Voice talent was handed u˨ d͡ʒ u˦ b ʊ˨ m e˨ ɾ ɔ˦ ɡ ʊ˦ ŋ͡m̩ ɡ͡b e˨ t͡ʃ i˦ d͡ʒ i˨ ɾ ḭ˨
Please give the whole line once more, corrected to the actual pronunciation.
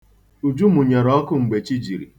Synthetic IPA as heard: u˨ d͡ʒ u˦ m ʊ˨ ɲ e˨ ɾ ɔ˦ k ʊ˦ ŋ͡m̩ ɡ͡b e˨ t͡ʃ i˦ d͡ʒ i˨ ɾ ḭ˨